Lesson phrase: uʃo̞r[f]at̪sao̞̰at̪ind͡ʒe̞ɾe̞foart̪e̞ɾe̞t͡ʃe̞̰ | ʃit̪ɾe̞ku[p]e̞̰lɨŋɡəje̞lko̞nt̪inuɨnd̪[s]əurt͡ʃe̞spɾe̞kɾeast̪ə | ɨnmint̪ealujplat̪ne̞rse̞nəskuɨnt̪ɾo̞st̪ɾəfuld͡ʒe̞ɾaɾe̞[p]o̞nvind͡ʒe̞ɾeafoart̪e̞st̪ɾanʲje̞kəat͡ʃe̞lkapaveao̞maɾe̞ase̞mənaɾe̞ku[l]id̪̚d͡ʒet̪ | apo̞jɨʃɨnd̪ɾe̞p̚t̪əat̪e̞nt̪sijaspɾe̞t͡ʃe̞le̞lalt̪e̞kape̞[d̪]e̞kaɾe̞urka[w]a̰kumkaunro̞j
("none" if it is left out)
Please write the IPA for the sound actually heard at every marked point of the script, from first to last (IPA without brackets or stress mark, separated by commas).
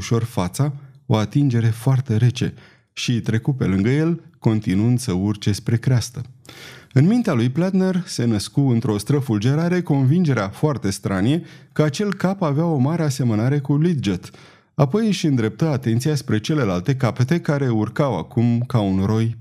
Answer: f, p, s, k, l, t̪, w